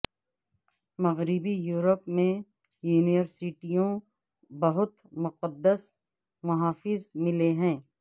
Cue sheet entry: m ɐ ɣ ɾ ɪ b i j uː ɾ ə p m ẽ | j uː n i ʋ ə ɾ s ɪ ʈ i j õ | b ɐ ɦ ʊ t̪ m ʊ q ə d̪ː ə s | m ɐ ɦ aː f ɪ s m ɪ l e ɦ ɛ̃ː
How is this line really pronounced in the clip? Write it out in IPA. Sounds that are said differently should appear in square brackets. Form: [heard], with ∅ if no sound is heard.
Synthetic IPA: m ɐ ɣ ɾ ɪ b i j uː ɾ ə p m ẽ | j uː n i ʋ ə ɾ s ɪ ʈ i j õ | b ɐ ɦ ʊ t̪ m ʊ q ə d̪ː ə s | m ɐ ɦ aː f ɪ [z] m ɪ l e ɦ ɛ̃ː